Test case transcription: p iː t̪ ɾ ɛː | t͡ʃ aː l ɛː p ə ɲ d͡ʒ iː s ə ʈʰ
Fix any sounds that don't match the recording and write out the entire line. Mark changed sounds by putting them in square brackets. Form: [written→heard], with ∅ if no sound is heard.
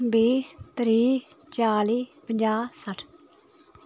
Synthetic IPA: [p→b] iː t̪ ɾ [ɛː→iː] | t͡ʃ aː l [ɛː→iː] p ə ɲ d͡ʒ [iː→aː] s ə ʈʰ